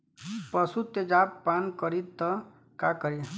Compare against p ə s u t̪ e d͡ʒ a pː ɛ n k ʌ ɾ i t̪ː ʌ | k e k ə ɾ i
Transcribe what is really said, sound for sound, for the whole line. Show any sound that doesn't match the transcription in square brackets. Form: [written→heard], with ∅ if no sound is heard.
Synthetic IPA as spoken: p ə s u t̪ e d͡ʒ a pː [ɛ→a] n k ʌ ɾ i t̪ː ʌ | k [e→a] k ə ɾ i